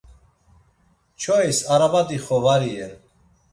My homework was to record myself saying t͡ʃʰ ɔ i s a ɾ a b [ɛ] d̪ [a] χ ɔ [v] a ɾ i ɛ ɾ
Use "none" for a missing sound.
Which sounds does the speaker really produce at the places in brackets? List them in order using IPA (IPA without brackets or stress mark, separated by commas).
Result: a, i, v